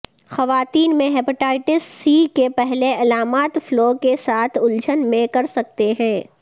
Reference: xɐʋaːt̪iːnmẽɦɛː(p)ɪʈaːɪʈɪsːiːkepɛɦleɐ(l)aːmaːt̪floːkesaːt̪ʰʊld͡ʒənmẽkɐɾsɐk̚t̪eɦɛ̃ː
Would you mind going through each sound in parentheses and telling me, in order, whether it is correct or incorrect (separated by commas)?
correct, correct